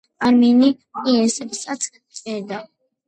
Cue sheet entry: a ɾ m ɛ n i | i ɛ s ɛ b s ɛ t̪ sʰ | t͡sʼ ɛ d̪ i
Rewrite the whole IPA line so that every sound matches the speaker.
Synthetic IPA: a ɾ m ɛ n i | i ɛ s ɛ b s a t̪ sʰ | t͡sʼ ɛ d̪ a